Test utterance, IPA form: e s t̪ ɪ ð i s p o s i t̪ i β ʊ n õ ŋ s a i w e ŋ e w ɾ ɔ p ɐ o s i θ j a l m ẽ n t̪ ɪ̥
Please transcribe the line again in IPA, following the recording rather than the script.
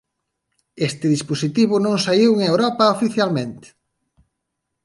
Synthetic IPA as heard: e s t̪ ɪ ð i s p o s i t̪ i β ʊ n õ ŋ s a i w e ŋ e w ɾ ɔ p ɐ o f i θ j a l m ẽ n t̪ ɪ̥

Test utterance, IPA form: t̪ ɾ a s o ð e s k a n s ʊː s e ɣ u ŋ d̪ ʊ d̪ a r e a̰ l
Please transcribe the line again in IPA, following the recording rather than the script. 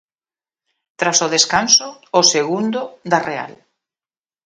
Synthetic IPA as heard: t̪ ɾ a s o ð e s k a n s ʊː s e ɣ u n d̪ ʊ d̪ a r e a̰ l

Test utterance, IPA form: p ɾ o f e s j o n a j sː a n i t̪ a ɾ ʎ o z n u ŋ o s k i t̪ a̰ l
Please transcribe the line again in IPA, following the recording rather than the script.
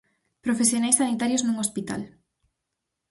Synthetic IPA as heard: p ɾ o f e s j o n a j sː a n i t̪ a ɾ j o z n u ŋ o s p i t̪ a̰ l

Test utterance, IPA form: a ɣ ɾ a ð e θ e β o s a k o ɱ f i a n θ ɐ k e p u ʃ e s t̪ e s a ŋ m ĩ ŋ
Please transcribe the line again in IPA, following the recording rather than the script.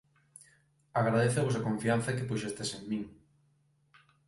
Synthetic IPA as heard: a ɣ ɾ a ð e θ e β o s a k o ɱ f i a n θ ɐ k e p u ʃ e s t̪ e s e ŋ m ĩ ŋ

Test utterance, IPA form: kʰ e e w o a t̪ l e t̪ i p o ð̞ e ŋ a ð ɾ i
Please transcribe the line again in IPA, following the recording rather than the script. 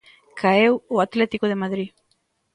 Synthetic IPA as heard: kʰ a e w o a t̪ l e t̪ i k o ð̞ e m a ð ɾ i

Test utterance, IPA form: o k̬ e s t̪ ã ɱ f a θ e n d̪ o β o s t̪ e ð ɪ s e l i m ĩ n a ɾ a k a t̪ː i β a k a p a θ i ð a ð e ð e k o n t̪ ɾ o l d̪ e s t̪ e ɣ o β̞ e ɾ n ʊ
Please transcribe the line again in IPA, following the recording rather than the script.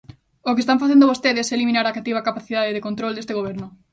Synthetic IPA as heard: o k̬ e s t̪ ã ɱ f a θ e n d̪ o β o s t̪ e ð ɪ s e l i m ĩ n a ɾ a k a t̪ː i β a k a p a θ i ð a ð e ð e k o n t̪ ɾ o l d̪ e s t̪ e ɣ o β̞ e ɾ n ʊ

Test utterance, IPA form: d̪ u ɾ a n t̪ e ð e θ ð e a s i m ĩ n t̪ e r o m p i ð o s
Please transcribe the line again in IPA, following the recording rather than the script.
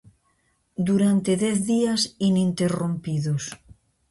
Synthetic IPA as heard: d̪ u ɾ a n t̪ e ð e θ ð i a s i n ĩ n t̪ e r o m p i ð o s

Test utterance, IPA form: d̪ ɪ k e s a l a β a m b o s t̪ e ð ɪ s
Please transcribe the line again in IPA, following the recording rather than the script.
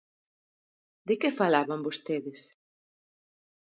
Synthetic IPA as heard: d̪ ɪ k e f a l a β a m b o s t̪ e ð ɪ s

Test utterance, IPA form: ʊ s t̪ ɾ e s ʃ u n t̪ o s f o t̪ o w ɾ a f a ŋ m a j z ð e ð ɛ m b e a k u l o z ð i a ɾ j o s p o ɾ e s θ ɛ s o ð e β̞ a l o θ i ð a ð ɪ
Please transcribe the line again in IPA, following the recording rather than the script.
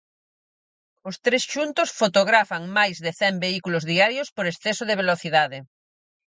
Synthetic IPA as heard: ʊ s t̪ ɾ e s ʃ u n t̪ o s f o t̪ o ɣ ɾ a f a ŋ m a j z ð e θ ɛ m b e i k u l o z ð i a ɾ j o s p o ɾ e s θ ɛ s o ð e β̞ e l o θ i ð a ð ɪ

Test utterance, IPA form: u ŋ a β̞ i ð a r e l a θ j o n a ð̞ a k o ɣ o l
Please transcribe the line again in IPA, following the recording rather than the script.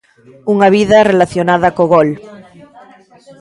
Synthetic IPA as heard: u ŋ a β̞ i ð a r e l a θ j o n a ð̞ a k o ɣ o l

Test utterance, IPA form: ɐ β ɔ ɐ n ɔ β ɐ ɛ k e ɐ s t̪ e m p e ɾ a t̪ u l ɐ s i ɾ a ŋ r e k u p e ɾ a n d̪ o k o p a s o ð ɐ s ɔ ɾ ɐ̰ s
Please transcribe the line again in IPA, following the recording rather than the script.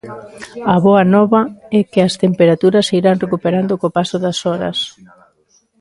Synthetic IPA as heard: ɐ β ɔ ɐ n ɔ β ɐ ɛ k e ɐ s t̪ e m p e ɾ a t̪ u ɾ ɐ s i ɾ a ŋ r e k u p e ɾ a n d̪ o k o p a s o ð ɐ s ɔ ɾ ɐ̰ s

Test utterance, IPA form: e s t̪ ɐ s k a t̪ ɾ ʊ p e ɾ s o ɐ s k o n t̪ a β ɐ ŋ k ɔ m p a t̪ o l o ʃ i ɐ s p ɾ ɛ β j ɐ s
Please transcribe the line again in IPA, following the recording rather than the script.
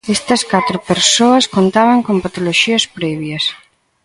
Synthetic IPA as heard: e s t̪ ɐ s k a t̪ ɾ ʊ p e ɾ s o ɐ s k o n t̪ a β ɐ ŋ k o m p a t̪ o l o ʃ i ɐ s p ɾ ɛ β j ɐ s

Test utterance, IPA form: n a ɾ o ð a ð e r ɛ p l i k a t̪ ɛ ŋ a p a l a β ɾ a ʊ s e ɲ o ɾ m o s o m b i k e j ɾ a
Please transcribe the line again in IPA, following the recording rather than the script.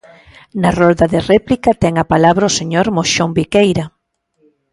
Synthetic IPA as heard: n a r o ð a ð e r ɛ p l i k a t̪ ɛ ŋ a p a l a β ɾ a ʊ s e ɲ o ɾ m o ʃ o m b i k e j ɾ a

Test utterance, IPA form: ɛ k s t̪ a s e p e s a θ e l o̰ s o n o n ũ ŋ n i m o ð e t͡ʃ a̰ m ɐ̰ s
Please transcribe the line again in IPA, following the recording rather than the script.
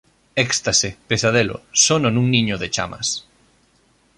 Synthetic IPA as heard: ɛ k s t̪ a s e p e s a ð e l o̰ s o n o n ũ ŋ n i ɲ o ð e t͡ʃ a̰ m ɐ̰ s

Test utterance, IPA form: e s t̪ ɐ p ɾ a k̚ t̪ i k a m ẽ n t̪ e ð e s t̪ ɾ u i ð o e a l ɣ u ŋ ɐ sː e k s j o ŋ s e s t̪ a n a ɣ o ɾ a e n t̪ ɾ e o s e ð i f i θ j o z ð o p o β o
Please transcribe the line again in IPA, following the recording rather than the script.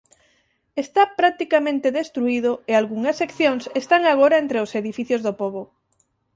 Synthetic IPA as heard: e s t̪ a p ɾ a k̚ t̪ i k a m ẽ n t̪ e ð e s t̪ ɾ u i ð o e a l ɣ u ŋ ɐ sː e k θ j o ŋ s e s t̪ a ŋ a ɣ o ɾ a e n t̪ ɾ e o s e ð i f i θ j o z ð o p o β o

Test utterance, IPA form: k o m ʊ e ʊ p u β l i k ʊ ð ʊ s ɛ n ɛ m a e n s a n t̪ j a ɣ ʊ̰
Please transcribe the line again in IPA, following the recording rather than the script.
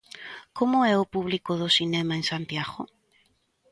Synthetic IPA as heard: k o m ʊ ɛ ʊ p u β l i k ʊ ð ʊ s i n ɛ m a e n s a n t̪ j a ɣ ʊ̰

